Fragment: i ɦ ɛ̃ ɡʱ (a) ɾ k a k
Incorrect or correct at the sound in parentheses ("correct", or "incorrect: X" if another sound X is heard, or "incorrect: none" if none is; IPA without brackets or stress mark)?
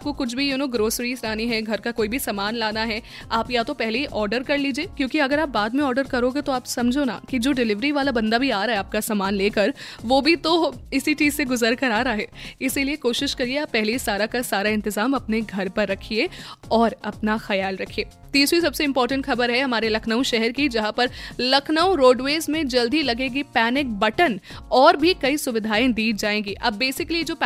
incorrect: ɐ